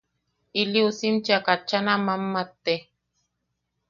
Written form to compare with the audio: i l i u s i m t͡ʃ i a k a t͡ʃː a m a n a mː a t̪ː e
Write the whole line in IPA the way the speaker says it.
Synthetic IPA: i l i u s i m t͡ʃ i a k a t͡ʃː a n a m a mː a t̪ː e